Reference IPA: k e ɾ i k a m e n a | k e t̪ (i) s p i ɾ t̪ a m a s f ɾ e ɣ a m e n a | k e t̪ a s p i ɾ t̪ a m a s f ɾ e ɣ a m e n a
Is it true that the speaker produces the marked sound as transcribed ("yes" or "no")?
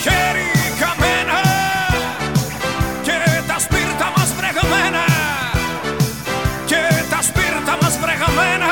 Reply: no